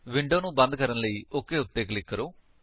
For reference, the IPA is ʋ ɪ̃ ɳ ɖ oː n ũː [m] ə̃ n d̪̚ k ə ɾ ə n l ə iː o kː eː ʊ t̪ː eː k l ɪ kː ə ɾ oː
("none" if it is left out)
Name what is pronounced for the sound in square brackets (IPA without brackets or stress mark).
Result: b